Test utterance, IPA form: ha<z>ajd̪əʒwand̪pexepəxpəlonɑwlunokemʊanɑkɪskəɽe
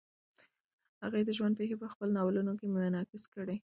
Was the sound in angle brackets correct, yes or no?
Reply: no